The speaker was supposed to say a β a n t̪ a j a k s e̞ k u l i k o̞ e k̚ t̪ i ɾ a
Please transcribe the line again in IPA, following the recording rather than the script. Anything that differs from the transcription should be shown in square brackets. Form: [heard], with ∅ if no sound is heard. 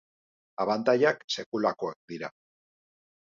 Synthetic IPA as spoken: a β a n t̪ a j a k s e̞ k u l [a] k o̞ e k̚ [d̪] i ɾ a